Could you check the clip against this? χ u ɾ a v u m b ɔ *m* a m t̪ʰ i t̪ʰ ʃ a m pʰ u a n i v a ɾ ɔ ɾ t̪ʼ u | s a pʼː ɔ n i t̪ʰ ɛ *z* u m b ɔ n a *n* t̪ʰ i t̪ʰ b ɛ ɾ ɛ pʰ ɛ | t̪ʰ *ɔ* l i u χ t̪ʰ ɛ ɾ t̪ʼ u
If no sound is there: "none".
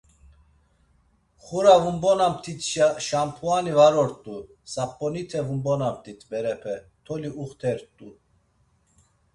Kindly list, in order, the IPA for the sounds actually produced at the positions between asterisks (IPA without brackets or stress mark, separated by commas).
n, v, m, ɔ